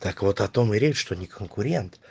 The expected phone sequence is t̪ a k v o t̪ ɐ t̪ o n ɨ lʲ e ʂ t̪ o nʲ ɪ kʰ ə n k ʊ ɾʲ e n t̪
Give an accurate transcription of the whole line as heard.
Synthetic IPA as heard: t̪ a k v o t̪ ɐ t̪ o m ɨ ɾʲ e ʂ t̪ o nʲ ɪ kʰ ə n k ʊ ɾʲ e n t̪